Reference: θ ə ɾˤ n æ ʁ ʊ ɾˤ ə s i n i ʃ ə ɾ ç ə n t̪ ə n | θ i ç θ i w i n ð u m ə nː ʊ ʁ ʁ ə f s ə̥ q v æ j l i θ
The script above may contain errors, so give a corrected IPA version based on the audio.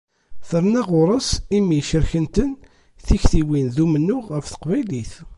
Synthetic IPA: θ ə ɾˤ n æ ʁ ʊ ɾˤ ə s i m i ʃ ə ɾ ç ə n t̪ ə n | θ i ç θ i w i n ð u m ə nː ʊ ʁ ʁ ə f θ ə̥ q v æ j l i θ